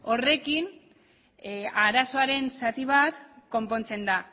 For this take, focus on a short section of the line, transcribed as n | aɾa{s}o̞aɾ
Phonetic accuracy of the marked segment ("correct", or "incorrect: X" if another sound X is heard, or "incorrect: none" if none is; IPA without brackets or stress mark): correct